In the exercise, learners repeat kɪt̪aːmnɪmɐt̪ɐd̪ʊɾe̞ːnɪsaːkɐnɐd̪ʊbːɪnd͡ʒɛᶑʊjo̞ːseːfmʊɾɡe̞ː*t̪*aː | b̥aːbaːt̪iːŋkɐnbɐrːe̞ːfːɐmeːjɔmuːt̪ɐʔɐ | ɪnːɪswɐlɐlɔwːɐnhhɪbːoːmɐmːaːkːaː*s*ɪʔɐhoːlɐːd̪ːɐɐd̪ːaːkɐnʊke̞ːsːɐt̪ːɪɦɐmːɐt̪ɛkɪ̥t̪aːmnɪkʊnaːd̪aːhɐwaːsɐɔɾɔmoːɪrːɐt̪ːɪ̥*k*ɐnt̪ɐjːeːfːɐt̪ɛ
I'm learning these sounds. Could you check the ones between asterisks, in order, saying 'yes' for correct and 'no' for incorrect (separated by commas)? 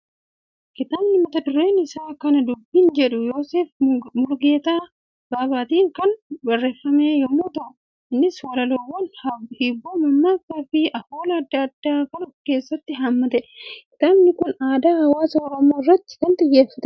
yes, no, yes